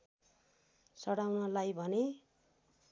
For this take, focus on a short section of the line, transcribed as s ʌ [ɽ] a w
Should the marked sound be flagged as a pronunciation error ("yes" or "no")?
no